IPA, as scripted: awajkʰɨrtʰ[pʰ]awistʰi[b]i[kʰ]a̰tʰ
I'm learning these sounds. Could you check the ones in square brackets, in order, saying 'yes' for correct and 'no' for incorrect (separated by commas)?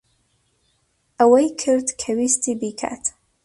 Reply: no, yes, yes